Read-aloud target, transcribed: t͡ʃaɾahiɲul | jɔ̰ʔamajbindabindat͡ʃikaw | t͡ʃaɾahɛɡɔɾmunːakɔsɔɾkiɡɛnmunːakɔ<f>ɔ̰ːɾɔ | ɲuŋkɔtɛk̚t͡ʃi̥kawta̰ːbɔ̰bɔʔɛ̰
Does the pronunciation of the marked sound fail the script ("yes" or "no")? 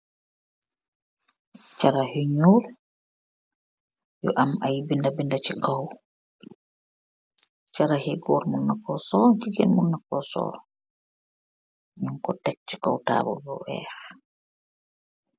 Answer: yes